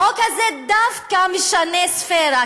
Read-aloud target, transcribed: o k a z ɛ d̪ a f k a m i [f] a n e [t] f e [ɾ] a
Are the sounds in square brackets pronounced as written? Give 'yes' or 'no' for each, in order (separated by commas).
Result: no, no, yes